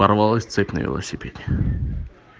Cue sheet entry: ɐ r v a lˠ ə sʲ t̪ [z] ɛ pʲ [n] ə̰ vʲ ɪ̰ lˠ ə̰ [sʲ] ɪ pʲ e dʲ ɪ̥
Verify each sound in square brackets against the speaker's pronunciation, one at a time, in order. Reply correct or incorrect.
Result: incorrect: s, correct, correct

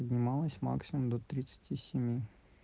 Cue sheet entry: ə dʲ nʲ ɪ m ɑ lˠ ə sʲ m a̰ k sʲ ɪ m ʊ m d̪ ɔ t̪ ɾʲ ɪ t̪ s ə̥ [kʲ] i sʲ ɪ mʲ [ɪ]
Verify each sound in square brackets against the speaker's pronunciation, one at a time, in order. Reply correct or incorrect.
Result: incorrect: tʲ, incorrect: i

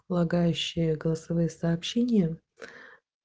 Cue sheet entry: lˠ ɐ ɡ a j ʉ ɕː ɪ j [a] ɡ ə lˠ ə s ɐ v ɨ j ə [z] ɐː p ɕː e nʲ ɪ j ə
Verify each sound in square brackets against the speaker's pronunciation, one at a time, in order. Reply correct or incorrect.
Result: incorrect: ə, incorrect: s

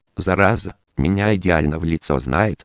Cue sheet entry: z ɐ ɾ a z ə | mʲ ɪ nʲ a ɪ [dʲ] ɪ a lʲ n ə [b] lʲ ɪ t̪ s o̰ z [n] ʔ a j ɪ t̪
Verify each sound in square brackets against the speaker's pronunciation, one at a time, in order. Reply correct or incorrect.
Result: correct, incorrect: v, correct

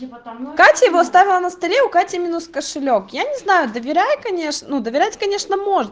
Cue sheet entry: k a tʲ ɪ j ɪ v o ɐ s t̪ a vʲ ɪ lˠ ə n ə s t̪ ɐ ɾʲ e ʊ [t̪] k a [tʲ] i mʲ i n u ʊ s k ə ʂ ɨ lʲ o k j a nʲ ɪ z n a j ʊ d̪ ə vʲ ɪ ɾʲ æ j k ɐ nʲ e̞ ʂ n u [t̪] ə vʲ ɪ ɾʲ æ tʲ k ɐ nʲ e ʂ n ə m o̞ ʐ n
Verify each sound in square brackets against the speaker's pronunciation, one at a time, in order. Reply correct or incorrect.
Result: incorrect: none, correct, incorrect: d̪

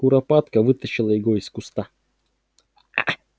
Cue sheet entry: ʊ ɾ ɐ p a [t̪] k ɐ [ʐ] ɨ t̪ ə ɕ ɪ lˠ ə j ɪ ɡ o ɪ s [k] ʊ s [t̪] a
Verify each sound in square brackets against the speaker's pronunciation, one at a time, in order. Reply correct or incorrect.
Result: correct, incorrect: v, correct, correct

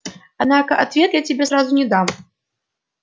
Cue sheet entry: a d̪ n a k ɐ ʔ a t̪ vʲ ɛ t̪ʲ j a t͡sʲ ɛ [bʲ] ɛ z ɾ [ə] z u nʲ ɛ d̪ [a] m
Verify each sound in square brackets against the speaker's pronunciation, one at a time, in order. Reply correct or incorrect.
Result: correct, incorrect: a, correct

